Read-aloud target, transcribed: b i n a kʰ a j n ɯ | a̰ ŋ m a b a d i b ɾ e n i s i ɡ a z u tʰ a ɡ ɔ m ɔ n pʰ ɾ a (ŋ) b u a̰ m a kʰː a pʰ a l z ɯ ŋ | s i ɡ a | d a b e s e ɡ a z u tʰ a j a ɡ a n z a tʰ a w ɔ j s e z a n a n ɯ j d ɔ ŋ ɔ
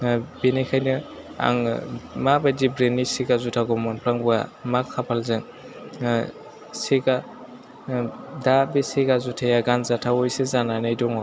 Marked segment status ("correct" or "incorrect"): correct